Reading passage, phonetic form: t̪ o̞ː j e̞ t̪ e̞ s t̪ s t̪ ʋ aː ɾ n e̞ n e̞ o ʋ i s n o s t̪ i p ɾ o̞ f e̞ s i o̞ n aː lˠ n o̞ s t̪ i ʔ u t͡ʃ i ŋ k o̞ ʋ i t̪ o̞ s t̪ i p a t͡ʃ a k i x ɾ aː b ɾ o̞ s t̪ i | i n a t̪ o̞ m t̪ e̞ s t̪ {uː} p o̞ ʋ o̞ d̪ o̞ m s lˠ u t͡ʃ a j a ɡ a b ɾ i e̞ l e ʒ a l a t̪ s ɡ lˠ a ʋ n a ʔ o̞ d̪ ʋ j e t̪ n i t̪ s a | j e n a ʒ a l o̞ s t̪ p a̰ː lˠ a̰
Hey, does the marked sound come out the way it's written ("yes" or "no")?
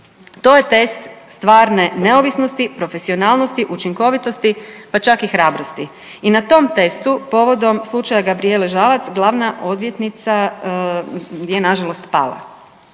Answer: no